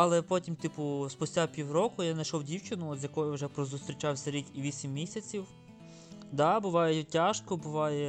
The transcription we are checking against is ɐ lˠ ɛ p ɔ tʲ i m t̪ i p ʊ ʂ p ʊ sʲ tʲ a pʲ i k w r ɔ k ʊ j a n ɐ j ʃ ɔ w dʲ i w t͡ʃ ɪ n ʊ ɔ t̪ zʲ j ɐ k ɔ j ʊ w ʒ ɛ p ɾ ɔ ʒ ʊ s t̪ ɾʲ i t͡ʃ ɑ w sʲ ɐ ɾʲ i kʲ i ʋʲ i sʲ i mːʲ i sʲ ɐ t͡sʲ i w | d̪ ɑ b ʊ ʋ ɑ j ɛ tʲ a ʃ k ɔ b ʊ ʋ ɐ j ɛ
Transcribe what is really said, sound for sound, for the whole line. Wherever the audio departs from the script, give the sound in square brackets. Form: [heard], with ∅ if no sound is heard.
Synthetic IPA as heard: ɐ lˠ ɛ p ɔ tʲ i m t̪ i p ʊ [s] p ʊ sʲ tʲ a pʲ i [∅] w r ɔ k ʊ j a n ɐ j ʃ ɔ w dʲ i w t͡ʃ ɪ n ʊ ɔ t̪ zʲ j ɐ k ɔ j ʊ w ʒ ɛ p ɾ ɔ [z] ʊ s t̪ ɾʲ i t͡ʃ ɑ w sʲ ɐ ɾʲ i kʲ i ʋʲ i sʲ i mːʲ i sʲ ɐ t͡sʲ i w | d̪ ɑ b ʊ ʋ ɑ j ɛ tʲ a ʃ k ɔ b ʊ ʋ [ɑ] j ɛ